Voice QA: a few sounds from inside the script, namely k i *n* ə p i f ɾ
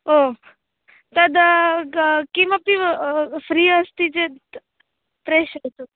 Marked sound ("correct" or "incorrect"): incorrect